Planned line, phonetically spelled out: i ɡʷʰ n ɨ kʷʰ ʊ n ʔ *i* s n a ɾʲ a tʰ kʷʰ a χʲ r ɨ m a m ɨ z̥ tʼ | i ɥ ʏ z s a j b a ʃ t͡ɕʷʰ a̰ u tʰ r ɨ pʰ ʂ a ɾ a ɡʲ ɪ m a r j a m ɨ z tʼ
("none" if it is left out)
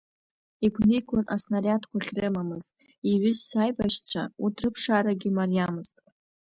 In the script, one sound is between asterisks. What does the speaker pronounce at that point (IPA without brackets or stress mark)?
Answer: a